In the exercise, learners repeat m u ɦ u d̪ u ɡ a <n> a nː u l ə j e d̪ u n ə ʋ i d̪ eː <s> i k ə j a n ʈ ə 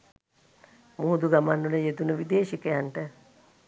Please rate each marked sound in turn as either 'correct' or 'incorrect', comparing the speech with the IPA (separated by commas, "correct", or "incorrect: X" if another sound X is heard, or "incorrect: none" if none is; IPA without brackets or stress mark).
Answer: incorrect: m, incorrect: ʃ